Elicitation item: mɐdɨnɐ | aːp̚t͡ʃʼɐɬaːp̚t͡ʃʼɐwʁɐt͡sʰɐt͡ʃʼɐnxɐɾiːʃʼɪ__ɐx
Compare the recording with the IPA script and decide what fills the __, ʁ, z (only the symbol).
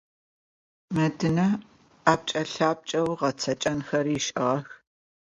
ʁ